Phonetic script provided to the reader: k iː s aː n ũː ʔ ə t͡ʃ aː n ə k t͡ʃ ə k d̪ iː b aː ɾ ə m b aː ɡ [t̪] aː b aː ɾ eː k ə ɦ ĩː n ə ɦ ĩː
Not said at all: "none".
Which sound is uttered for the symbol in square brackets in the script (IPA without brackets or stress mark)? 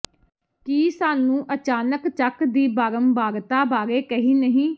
t̪